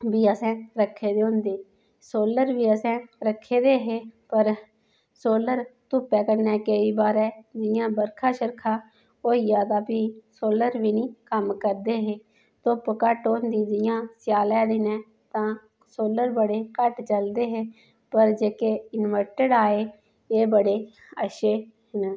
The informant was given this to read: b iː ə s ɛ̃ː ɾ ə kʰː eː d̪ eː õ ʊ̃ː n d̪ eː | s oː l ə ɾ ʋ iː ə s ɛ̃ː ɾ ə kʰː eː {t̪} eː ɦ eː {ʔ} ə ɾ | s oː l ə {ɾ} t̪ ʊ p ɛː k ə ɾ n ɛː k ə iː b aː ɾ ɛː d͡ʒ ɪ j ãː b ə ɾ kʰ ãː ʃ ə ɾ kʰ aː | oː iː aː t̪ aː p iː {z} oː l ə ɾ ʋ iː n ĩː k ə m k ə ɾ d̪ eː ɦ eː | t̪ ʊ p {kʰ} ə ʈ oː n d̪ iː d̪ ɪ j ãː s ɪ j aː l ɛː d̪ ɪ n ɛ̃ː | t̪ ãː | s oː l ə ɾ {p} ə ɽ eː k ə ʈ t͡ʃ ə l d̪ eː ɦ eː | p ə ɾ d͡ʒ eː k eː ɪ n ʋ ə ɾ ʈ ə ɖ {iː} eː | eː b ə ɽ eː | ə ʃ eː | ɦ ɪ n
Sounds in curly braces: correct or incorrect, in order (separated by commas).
incorrect, incorrect, correct, incorrect, incorrect, incorrect, incorrect